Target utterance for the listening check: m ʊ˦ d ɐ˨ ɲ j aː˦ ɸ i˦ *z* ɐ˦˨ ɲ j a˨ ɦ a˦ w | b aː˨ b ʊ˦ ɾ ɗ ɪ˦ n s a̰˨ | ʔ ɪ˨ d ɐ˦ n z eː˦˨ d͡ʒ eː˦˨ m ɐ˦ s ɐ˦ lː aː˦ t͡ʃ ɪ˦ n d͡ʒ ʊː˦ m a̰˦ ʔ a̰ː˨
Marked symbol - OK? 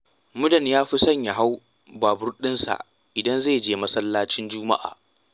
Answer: no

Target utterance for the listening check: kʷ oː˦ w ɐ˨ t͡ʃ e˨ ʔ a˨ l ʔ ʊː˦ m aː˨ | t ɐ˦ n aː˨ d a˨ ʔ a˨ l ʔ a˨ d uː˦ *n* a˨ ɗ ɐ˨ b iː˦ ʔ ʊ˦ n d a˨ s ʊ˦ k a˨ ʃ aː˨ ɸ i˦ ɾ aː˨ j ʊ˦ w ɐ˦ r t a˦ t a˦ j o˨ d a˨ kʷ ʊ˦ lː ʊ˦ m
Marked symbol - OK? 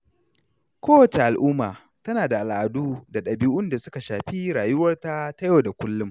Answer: no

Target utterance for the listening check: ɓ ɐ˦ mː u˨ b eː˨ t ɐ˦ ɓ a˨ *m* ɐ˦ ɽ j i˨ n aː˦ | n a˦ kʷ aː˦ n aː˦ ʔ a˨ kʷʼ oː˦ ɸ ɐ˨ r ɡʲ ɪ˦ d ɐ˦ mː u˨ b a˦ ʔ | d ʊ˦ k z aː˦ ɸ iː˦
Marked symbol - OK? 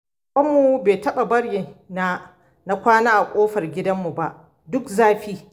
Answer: no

